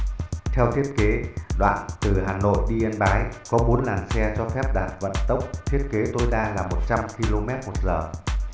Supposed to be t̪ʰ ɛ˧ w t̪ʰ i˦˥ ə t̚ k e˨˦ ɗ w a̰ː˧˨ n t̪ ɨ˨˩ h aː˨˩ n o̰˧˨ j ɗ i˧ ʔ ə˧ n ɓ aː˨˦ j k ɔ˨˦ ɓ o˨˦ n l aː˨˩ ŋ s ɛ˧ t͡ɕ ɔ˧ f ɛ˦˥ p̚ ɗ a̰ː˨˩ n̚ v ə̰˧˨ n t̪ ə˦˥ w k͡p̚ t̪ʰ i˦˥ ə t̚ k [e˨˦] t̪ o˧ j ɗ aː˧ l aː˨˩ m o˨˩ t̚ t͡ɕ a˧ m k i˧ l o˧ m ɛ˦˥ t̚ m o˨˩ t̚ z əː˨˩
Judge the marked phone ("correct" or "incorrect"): correct